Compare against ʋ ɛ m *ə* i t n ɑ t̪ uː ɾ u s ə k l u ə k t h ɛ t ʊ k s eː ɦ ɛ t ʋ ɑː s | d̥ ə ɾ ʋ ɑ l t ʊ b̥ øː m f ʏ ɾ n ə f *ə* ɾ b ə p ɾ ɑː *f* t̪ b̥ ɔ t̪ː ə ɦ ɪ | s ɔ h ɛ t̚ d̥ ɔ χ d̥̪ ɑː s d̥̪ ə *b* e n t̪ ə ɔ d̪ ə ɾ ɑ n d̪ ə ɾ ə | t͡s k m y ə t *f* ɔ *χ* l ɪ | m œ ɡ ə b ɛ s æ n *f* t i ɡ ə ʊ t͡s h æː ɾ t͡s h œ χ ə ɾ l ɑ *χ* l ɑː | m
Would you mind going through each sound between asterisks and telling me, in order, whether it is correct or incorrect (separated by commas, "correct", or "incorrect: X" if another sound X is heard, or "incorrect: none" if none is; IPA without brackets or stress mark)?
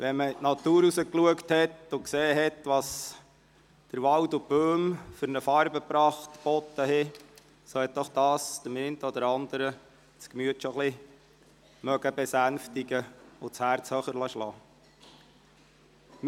correct, incorrect: ɑ, incorrect: χ, incorrect: m, incorrect: ʃ, correct, correct, incorrect: ʃ